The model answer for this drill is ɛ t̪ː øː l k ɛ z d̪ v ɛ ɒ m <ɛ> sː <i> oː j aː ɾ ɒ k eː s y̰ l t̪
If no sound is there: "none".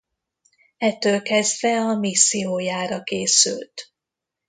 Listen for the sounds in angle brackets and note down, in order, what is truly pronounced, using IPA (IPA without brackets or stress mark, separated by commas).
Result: i, i